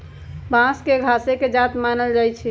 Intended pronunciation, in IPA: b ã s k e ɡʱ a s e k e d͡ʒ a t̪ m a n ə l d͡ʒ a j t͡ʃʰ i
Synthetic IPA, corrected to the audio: b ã s k e ɡʱ a s e k e d͡ʒ a t̪ m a n ə l d͡ʒ a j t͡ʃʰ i